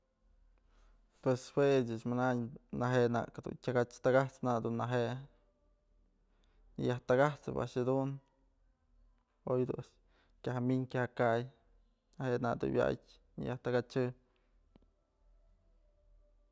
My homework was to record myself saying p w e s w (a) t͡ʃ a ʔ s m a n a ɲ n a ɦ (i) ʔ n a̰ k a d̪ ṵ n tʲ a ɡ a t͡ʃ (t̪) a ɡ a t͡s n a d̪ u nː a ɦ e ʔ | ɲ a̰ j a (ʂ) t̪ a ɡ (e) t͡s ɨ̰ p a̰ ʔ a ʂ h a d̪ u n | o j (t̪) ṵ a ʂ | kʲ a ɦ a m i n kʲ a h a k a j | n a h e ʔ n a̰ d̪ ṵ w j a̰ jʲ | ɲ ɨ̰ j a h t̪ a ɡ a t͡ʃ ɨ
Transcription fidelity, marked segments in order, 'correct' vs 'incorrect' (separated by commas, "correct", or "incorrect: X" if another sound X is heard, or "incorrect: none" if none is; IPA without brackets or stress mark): incorrect: e, incorrect: e, correct, incorrect: h, incorrect: a, incorrect: d̪